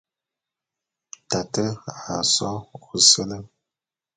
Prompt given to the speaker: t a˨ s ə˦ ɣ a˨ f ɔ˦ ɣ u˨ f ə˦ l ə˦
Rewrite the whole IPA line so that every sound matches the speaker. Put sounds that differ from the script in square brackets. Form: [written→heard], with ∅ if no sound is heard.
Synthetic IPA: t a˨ [s→t] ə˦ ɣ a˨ [f→s] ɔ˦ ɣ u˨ [f→s] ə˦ l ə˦

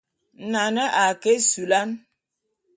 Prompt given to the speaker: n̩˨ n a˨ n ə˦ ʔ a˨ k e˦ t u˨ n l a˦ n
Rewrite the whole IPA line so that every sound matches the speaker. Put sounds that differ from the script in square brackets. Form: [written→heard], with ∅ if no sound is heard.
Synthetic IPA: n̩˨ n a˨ n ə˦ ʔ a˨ k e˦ [t→s] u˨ [n→∅] l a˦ n

